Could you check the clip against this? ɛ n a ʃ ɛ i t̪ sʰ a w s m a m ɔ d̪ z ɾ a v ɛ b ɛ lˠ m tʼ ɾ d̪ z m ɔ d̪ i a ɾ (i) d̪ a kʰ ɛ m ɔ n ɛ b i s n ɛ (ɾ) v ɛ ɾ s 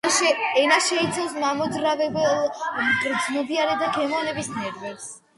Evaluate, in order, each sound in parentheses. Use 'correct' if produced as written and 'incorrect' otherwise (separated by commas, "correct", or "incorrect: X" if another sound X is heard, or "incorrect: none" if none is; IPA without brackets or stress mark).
incorrect: ɛ, correct